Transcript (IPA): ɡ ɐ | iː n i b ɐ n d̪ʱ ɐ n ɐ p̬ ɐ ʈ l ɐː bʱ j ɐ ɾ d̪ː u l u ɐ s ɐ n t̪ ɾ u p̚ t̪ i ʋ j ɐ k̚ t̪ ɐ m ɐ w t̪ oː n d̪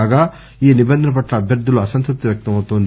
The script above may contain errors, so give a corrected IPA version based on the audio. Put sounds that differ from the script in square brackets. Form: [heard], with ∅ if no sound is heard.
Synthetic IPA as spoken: ɡ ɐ | iː n i b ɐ n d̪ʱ ɐ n ɐ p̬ ɐ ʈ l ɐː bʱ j ɐ ɾ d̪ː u l u ɐ s ɐ n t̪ ɾ u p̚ t̪ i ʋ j ɐ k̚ t̪ ɐ m ɐ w t̪ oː n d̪